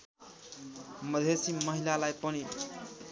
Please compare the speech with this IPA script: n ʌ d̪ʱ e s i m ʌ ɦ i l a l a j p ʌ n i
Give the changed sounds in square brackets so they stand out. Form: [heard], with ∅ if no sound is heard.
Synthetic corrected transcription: [m] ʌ d̪ʱ e s i m ʌ ɦ i l a l a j p ʌ n i